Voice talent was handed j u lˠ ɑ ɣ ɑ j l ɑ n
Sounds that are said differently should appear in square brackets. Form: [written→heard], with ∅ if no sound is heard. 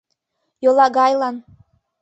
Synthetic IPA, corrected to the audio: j [u→o] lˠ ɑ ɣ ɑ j l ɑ n